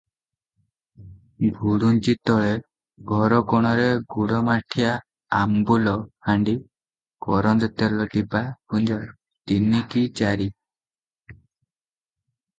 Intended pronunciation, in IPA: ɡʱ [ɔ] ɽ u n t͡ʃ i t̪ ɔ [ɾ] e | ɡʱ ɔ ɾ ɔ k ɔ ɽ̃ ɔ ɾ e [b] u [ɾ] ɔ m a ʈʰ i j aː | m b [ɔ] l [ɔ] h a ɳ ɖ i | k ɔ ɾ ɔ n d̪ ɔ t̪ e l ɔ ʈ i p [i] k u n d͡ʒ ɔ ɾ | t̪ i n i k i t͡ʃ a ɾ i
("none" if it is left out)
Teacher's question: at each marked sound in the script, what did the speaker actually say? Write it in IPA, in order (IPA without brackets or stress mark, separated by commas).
u, ɭ, ɡ, ɽ, u, ɔ, a